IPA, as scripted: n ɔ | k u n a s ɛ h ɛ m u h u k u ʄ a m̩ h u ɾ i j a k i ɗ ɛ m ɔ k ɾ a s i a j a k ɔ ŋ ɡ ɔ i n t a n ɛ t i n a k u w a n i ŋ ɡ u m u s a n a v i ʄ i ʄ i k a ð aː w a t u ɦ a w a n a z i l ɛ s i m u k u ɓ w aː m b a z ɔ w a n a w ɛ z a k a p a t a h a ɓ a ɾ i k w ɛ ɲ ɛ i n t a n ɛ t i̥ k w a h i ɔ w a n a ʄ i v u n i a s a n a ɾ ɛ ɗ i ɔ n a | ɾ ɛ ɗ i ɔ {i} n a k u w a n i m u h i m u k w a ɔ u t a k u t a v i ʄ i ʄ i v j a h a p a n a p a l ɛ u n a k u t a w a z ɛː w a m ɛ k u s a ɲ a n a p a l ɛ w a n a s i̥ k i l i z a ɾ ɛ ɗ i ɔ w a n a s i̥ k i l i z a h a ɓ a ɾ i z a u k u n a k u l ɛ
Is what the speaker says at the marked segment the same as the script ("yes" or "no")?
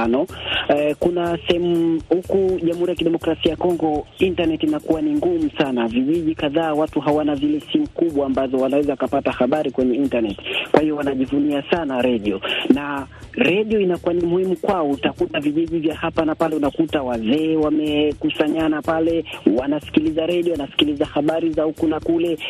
yes